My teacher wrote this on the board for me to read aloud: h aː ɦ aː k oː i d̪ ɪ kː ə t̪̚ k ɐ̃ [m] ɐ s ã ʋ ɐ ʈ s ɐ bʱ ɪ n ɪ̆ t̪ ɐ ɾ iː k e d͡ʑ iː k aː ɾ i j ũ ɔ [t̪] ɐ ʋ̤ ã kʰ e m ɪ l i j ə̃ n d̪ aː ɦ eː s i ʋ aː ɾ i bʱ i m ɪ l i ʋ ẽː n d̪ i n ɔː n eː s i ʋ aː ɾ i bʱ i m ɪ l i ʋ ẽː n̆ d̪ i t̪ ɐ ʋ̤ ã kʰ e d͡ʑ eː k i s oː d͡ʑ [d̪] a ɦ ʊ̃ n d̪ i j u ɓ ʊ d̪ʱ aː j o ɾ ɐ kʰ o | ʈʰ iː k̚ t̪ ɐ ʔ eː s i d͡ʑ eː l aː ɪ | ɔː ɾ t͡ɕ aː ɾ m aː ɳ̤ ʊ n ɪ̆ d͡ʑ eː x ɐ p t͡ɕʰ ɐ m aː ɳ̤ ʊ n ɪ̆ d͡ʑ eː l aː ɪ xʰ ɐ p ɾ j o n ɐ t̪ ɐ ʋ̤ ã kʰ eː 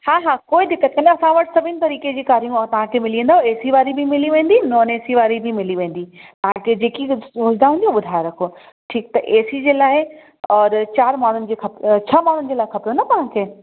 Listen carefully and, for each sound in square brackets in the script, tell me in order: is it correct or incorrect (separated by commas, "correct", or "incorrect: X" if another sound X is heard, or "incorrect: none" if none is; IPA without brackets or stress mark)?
incorrect: n, correct, correct